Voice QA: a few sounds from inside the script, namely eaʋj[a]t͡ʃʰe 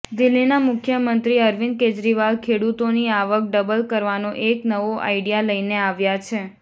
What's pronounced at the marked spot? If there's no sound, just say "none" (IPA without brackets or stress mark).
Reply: a